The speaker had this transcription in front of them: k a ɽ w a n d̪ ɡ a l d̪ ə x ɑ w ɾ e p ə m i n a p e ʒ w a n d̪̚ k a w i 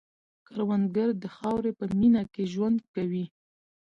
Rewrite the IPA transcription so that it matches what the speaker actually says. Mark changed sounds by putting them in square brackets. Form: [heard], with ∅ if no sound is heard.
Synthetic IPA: k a [ɾ] w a n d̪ ɡ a [ɾ] d̪ ə x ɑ w ɾ e p ə m i n a [k] e ʒ w a n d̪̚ k a w i